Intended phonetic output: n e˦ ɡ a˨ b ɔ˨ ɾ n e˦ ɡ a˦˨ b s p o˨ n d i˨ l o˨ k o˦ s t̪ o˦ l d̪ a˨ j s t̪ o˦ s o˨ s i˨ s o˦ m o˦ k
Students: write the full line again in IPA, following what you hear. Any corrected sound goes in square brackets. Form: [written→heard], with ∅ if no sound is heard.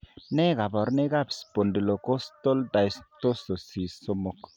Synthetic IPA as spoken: n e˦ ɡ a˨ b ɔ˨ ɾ n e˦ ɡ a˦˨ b s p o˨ n d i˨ l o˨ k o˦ s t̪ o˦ l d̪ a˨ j s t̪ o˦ s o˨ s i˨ s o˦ m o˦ k